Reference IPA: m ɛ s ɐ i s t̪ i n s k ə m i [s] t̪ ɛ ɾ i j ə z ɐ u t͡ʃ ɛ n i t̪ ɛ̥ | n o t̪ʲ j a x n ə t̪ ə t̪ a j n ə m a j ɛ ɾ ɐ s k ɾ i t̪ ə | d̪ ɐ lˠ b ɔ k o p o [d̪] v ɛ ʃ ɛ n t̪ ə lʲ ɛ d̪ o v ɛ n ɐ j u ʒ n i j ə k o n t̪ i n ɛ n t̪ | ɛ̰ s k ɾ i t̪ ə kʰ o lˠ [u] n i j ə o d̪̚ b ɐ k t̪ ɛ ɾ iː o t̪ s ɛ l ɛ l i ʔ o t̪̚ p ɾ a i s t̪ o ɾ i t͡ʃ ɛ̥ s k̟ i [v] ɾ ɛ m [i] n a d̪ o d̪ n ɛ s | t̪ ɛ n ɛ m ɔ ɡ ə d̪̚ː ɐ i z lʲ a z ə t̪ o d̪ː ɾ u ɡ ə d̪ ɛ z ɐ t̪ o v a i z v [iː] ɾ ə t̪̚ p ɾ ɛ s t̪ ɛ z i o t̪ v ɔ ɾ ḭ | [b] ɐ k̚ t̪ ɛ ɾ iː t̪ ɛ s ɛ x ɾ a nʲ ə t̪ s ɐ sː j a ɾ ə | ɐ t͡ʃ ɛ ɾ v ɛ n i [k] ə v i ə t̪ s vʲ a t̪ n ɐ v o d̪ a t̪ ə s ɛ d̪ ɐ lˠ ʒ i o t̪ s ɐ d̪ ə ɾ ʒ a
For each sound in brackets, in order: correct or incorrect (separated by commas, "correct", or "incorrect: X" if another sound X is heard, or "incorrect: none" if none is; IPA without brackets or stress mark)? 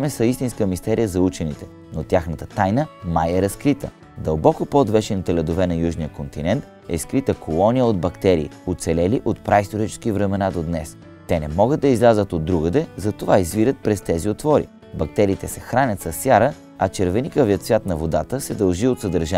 correct, correct, incorrect: ɔ, correct, incorrect: ɛ, incorrect: i, correct, correct